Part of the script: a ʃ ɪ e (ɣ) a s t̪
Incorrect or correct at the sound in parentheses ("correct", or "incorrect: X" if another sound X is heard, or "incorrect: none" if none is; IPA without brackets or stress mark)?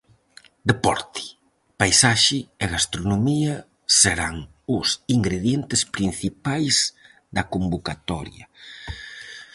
correct